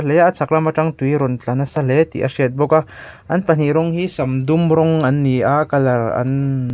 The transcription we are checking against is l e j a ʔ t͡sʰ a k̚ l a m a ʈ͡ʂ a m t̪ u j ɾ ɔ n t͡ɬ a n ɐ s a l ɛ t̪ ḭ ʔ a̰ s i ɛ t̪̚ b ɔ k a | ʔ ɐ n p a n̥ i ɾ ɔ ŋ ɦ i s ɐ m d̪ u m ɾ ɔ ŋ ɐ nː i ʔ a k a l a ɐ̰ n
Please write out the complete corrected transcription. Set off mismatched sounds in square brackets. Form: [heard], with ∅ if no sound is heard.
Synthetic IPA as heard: l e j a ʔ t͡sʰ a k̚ l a m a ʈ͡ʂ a [ŋ] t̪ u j ɾ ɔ n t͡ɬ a n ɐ s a l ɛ t̪ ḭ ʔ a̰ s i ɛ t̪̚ b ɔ k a | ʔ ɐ n p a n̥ i ɾ ɔ ŋ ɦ i s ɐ m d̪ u m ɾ ɔ ŋ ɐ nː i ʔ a k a l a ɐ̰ n

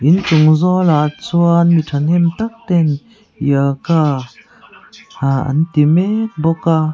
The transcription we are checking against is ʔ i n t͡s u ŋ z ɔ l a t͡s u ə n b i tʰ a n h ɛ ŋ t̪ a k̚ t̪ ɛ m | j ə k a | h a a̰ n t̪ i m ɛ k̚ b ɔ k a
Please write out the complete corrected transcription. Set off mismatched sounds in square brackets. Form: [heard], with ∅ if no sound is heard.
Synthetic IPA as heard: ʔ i n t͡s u ŋ z ɔ l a t͡s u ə n [m] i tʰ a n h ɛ [m] t̪ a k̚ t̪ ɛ [n] | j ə k a | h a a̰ n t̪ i m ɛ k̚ b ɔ k a

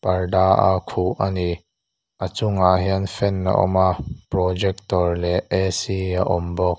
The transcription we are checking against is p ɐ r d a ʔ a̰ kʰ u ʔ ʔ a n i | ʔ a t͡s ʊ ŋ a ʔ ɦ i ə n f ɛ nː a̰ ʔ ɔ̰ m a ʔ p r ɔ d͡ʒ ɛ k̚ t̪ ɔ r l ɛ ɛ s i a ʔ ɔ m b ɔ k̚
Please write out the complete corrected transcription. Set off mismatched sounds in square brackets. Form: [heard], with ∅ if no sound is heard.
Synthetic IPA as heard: p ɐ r d a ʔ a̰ kʰ u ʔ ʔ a n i | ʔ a t͡s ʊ ŋ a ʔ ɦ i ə n f ɛ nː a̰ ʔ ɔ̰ m a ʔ p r ɔ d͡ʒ ɛ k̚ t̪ ɔ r l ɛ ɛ s i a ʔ ɔ m b ɔ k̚

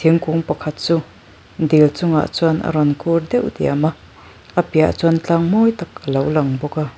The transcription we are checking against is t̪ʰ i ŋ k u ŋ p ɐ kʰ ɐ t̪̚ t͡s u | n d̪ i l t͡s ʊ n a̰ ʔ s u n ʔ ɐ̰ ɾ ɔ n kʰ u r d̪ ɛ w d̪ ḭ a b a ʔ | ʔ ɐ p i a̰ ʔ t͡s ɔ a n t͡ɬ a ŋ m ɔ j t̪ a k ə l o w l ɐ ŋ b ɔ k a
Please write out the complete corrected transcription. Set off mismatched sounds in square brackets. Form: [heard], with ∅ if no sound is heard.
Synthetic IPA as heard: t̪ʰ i ŋ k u ŋ p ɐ kʰ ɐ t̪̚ t͡s u | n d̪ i l t͡s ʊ [ŋ] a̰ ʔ [t͡s] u n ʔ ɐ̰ ɾ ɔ n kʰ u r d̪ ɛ w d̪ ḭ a [m] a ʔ | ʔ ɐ p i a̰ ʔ t͡s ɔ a n t͡ɬ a ŋ m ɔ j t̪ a k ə l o w l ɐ ŋ b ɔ k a

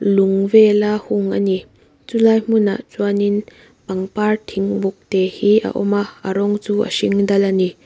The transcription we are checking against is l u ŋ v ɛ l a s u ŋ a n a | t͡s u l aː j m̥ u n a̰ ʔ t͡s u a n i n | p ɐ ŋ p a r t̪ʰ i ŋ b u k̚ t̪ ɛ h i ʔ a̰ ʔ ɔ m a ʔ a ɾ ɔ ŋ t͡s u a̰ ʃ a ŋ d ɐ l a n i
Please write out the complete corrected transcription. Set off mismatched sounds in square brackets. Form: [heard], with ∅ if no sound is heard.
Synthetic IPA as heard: l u ŋ v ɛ l a [h] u ŋ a n [i] | t͡s u l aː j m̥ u n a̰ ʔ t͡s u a n i n | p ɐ ŋ p a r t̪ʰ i ŋ b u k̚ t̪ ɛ h i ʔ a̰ ʔ ɔ m a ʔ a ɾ ɔ ŋ t͡s u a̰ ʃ [i] ŋ d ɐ l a n i

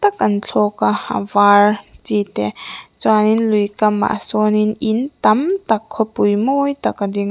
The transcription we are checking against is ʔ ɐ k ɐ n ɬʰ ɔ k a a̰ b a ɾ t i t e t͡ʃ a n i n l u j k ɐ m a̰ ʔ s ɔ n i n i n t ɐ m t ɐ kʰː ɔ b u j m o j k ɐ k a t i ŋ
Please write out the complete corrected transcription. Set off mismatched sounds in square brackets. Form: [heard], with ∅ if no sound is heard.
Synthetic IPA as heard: [t] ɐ k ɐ n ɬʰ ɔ k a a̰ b a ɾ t i t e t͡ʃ a n i n l u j k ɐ m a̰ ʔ s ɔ n i n i n t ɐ m t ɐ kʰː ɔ [p] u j m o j [t] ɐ k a [d] i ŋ

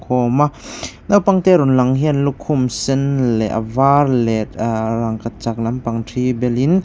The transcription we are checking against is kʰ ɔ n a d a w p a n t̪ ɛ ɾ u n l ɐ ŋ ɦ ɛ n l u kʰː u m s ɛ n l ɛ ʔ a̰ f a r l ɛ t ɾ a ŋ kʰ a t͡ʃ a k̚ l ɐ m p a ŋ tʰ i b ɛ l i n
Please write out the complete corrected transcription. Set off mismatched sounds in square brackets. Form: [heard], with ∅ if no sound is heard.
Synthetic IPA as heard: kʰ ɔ [m] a [n] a w p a [ŋ] t̪ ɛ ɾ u n l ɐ ŋ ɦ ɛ n l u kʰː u m s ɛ n l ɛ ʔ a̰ [v] a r l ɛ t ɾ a ŋ [k] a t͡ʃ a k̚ l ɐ m p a ŋ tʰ i b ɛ l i n

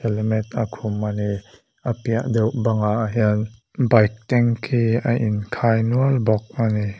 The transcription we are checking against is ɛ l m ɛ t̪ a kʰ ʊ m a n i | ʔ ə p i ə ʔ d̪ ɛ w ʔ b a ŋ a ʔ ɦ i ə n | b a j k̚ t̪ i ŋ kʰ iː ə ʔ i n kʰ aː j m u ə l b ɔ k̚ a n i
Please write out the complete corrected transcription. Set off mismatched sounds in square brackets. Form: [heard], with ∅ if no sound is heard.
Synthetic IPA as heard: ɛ l m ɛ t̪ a kʰ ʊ m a n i | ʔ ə p i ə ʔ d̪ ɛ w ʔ b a ŋ a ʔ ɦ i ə n | b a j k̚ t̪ [ɛ] ŋ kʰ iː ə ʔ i n kʰ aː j [n] u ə l b ɔ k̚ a n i

